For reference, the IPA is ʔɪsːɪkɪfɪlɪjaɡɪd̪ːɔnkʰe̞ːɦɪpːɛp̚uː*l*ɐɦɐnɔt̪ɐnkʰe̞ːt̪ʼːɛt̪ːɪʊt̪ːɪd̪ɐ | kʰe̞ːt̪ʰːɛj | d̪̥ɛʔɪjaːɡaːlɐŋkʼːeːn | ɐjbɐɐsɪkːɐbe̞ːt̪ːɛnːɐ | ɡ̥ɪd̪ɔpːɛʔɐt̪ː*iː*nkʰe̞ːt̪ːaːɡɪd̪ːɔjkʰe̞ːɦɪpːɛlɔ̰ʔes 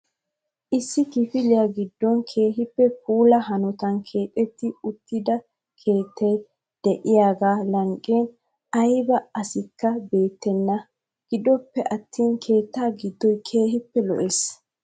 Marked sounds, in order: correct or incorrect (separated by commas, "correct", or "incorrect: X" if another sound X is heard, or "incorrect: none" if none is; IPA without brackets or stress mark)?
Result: correct, correct